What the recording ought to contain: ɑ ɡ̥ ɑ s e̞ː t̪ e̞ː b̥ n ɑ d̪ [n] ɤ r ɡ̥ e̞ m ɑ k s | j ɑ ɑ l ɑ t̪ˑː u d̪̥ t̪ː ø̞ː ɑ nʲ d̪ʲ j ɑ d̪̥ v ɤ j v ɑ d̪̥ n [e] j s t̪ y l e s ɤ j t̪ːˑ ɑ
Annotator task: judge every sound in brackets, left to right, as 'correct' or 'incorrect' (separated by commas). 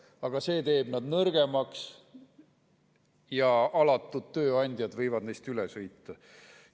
correct, correct